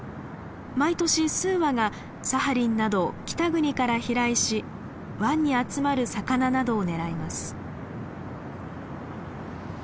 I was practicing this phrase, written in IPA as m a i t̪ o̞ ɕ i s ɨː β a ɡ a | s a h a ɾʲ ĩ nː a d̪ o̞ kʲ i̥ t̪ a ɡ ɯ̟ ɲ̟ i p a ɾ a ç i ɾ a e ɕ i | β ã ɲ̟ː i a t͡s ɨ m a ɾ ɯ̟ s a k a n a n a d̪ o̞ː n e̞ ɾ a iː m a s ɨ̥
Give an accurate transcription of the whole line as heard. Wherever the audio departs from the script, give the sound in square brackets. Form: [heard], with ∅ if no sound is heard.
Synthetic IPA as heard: m a i t̪ o̞ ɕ i s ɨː β a ɡ a | s a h a ɾʲ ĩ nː a d̪ o̞ kʲ i̥ t̪ a ɡ ɯ̟ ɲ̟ i [k] a ɾ a ç i ɾ a [i] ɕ i | β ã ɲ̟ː i a t͡s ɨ m a ɾ ɯ̟ s a k a n a n a d̪ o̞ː n e̞ ɾ a [i] m a s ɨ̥